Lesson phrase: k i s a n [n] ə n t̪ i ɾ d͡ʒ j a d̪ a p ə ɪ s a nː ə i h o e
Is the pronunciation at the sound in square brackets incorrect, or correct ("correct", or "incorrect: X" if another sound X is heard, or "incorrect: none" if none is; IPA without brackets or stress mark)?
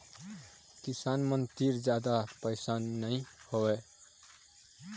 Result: incorrect: m